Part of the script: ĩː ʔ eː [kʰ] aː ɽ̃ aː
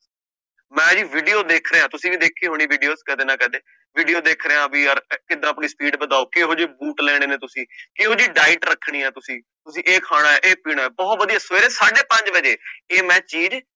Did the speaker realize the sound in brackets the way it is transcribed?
yes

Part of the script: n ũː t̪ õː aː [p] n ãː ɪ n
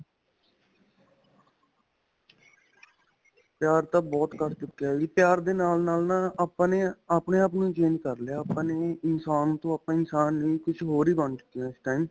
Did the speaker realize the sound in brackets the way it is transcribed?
yes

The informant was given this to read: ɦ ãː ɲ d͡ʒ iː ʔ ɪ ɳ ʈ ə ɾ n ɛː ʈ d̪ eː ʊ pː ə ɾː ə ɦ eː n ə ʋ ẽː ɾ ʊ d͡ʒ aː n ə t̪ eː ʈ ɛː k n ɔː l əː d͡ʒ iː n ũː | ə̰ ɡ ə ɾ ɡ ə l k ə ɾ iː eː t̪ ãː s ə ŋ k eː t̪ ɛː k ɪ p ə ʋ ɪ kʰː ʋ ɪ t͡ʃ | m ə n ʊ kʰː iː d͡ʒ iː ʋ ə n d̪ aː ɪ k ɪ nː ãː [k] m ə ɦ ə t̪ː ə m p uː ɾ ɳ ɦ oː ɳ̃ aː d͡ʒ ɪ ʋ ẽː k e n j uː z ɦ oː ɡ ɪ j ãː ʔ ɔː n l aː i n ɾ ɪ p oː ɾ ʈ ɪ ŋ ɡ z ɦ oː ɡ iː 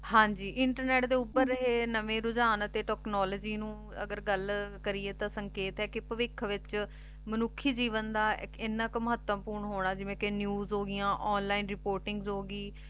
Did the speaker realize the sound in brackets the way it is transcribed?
yes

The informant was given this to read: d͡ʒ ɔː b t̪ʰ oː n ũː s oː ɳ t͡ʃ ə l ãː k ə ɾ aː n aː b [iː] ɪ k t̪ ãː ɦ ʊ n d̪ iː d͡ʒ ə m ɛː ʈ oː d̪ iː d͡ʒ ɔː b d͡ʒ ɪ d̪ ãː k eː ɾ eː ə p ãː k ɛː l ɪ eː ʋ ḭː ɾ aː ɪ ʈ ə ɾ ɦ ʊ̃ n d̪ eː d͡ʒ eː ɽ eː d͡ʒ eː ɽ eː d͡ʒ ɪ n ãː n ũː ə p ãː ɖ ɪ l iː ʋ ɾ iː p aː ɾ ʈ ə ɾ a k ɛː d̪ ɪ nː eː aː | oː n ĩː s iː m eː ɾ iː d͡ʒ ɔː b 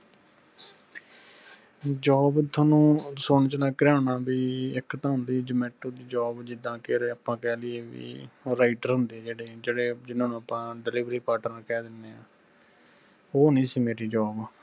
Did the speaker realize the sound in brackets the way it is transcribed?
yes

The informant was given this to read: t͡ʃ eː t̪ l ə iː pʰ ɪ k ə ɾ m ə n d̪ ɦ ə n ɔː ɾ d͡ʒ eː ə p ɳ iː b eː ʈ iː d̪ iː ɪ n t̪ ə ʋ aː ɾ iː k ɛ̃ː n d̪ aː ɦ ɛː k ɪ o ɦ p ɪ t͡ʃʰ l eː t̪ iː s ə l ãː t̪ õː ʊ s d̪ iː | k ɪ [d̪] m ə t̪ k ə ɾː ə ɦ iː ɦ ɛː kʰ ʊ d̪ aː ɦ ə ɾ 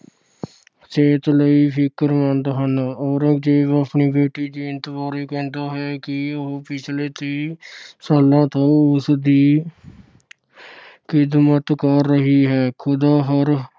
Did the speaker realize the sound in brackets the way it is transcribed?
yes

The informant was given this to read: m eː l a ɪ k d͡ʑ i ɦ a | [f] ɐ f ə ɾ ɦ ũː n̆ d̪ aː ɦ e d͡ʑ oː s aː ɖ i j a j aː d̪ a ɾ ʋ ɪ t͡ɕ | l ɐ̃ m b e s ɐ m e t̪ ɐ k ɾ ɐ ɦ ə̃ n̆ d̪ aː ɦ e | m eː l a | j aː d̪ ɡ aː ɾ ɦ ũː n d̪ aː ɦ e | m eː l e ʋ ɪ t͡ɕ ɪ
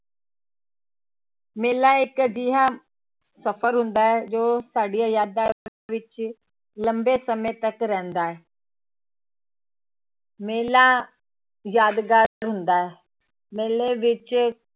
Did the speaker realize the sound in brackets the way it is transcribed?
no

